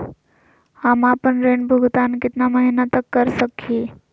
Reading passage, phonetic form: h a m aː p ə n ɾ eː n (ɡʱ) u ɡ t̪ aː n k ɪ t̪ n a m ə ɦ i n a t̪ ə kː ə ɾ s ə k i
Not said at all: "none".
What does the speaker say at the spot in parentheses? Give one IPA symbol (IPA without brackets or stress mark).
bʱ